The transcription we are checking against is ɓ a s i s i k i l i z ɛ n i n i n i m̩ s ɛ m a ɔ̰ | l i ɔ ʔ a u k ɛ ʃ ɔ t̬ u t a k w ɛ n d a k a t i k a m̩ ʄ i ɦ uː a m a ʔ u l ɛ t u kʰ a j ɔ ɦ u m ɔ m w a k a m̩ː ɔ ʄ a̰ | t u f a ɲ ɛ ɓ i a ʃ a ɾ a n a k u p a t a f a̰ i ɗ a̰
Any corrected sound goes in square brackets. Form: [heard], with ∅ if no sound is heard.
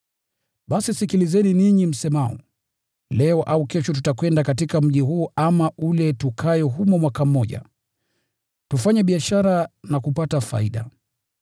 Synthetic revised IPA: ɓ a s i s i k i l i z ɛ n i n i [ɲ] i m̩ s ɛ m a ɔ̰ | l [ɛ] ɔ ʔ a u k ɛ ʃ ɔ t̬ u t a k w ɛ n d a k a t i k a m̩ ʄ i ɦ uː a m a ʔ u l ɛ t u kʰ a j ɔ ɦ u m ɔ m w a k a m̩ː ɔ ʄ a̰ | t u f a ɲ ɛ ɓ i a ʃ a ɾ a n a k u p a t a f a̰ i ɗ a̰

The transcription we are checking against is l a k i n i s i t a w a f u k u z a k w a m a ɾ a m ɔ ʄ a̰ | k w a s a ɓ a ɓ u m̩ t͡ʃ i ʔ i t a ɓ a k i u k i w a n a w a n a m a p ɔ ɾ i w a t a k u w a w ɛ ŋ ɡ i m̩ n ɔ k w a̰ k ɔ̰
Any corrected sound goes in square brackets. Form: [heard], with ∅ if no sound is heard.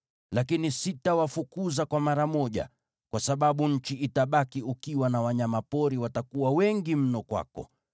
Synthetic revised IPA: l a k i n i s i t a w a f u k u z a k w a m a ɾ a m ɔ ʄ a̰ | k w a s a ɓ a ɓ u [ɲ̩] t͡ʃ i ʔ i t a ɓ a k i u k i w a n a w a [ɲ] a m a p ɔ ɾ i w a t a k u w a w ɛ ŋ ɡ i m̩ n ɔ k w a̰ k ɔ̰

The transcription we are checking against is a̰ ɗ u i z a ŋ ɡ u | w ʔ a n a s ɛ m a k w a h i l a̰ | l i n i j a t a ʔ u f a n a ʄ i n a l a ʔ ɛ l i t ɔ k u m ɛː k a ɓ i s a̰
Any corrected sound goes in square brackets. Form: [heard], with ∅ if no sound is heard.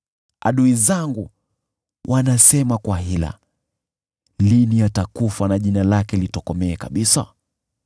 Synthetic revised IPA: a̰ ɗ u i z a ŋ ɡ u | w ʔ a n a s ɛ m a k w a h i l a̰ | l i n i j a t a [k] u f a n a ʄ i n a l a [k] ɛ l i t ɔ k [ɔ] m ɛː k a ɓ i s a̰

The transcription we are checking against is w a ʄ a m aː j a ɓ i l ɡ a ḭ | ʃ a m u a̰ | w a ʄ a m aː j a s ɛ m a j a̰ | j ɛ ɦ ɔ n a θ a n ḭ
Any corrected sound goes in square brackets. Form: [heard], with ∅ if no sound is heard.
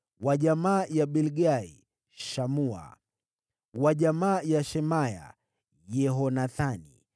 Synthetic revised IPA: w a ʄ a m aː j a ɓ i l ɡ a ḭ | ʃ a m u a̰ | w a ʄ a m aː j a [ʃ] ɛ m a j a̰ | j ɛ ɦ ɔ n a θ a n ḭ

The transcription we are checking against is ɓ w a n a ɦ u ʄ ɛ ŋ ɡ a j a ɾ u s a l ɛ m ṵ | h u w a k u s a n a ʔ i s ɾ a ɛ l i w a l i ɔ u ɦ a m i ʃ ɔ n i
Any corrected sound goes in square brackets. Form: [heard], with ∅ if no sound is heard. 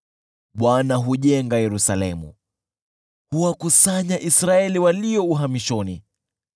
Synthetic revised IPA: ɓ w a n a ɦ u ʄ ɛ ŋ ɡ a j [ɛ] ɾ u s a l ɛ m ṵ | h u w a k u s a [ɲ] a ʔ i s ɾ a ɛ l i w a l i ɔ u ɦ a m i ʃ ɔ n i

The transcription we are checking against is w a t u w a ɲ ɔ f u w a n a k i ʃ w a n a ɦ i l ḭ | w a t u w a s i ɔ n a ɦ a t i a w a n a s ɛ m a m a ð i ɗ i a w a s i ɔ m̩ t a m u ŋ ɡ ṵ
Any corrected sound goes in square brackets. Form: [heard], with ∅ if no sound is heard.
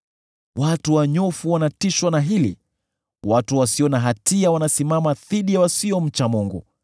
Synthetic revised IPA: w a t u w a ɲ ɔ f u w a n a [t] i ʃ w a n a ɦ i l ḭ | w a t u w a s i ɔ n a ɦ a t i a w a n a s [i] m a m a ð i ɗ i a w a s i ɔ m̩ [t͡ʃ] a m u ŋ ɡ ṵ

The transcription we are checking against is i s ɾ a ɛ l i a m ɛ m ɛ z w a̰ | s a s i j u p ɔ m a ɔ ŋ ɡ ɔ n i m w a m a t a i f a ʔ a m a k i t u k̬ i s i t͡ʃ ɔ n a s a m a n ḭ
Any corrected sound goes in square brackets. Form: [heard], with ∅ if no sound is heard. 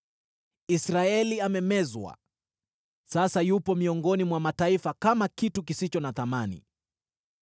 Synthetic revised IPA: i s ɾ a ɛ l i a m ɛ m ɛ z w a̰ | s a s [a] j u p ɔ m [i] ɔ ŋ ɡ ɔ n i m w a m a t a i f a [k] a m a k i t u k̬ i s i t͡ʃ ɔ n a [θ] a m a n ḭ

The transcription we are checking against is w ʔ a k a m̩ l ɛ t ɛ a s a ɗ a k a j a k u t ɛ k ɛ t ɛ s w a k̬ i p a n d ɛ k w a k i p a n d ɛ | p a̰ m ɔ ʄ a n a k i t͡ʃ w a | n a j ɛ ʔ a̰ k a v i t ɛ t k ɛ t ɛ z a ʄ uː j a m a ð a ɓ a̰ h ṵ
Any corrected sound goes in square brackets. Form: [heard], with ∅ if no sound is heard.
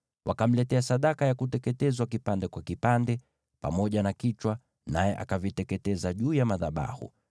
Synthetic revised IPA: w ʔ a k a m̩ l ɛ t ɛ a s a ɗ a k a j a k u t ɛ k ɛ t ɛ [z] w a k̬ i p a n d ɛ k w a k i p a n d ɛ | p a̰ m ɔ ʄ a n a k i t͡ʃ w a | n a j ɛ ʔ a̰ k a v i t ɛ t k ɛ t ɛ z a ʄ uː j a m a ð a ɓ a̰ h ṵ

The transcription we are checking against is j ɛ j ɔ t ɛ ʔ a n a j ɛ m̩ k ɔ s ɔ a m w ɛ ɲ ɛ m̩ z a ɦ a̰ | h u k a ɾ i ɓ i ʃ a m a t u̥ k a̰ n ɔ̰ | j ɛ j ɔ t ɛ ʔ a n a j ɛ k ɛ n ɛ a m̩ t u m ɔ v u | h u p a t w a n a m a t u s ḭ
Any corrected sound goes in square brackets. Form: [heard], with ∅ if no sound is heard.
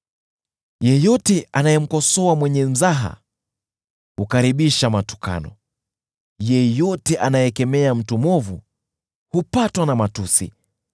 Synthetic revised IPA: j ɛ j ɔ t ɛ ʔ a n a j ɛ m̩ k ɔ s ɔ a m w ɛ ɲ ɛ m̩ z a ɦ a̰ | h u k a ɾ i ɓ i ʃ a m a t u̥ k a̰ n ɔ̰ | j ɛ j ɔ t ɛ ʔ a n a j ɛ k ɛ [m] ɛ a m̩ t u m ɔ v u | h u p a t w a n a m a t u s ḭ

